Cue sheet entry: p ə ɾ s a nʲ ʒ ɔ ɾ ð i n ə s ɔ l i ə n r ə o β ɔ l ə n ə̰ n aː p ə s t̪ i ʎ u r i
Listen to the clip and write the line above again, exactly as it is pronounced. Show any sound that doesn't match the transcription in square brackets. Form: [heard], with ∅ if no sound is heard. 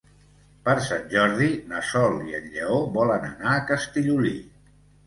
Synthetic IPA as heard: p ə ɾ s a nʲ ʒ ɔ ɾ ð i n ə s ɔ l i ə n [ʎ] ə o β ɔ l ə n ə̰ n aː [k] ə s t̪ i ʎ u [l] i